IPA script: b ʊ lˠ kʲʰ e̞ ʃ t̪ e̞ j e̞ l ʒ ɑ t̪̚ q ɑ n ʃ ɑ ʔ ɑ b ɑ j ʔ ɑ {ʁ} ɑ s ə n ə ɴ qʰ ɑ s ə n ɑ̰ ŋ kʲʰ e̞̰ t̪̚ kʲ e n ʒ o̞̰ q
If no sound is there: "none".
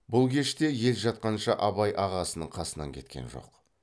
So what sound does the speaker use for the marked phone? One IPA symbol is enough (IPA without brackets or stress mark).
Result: ʁ